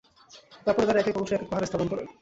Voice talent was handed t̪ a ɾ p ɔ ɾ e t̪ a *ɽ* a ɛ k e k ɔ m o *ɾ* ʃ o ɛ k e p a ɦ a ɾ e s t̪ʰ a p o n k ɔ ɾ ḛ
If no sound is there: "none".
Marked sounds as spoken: ɾ, none

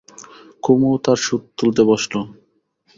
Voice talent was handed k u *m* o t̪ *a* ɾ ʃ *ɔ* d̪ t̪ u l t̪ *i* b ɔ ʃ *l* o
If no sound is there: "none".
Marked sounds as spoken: m, a, u, e, l

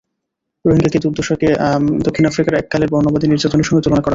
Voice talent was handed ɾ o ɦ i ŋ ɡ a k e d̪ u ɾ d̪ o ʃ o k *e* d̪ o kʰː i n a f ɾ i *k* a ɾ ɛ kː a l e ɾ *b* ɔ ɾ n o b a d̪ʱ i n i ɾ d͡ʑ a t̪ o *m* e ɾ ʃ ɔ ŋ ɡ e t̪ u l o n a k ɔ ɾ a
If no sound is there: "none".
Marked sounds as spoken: e, k, b, n

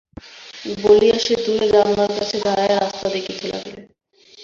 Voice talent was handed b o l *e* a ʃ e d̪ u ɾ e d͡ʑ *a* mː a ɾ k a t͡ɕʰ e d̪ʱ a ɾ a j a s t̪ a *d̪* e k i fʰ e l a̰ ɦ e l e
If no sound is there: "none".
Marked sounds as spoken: i, a, d̪

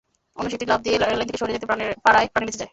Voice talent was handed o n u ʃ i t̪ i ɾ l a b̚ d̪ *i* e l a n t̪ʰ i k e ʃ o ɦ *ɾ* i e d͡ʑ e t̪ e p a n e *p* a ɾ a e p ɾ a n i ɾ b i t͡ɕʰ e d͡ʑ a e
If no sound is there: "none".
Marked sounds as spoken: i, ɾ, p

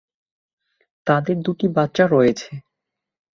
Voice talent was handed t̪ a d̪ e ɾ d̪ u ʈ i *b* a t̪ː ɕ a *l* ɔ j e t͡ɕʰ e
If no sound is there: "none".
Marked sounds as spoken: b, ɾ

